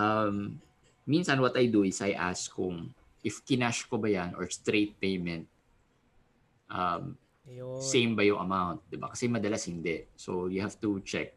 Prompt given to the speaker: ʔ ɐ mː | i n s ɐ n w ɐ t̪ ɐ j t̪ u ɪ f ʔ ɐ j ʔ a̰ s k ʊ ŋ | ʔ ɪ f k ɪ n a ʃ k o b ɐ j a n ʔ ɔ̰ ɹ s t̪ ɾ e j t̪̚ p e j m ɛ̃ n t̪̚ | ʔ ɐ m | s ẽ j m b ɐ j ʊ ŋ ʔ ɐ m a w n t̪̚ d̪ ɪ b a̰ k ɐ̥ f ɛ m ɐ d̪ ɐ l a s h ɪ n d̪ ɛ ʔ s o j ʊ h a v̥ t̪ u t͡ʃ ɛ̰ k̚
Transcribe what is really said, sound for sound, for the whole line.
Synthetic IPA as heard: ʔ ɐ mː | i n s ɐ n w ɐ t̪ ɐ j d̪ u ɪ s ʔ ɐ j ʔ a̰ s k ʊ ŋ | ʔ ɪ f k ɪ n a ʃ k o b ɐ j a n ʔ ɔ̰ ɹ s t̪ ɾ e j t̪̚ p e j m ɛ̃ n t̪̚ | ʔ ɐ m | s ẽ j m b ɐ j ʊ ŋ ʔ ɐ m a w n t̪̚ d̪ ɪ b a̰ k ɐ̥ s ɛ m ɐ d̪ ɐ l a s h ɪ n d̪ ɛ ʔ s o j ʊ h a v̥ t̪ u t͡ʃ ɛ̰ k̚